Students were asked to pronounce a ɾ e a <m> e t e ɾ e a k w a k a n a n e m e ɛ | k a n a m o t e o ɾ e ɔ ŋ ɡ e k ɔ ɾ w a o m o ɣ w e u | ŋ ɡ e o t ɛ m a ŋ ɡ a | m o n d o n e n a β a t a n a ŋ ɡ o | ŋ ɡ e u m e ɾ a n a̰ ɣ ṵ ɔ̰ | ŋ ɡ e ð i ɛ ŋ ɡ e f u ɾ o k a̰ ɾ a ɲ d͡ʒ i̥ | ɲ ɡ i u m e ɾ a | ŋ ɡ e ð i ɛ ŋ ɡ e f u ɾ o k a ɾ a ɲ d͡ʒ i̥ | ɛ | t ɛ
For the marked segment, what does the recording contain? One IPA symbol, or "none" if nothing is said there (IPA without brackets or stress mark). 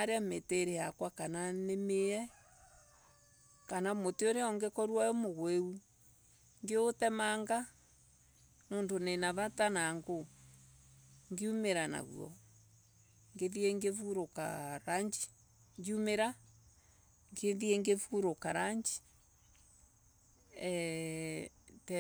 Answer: m